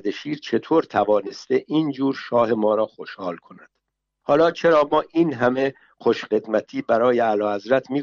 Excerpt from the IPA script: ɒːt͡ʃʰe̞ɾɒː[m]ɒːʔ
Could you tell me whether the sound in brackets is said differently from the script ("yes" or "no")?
no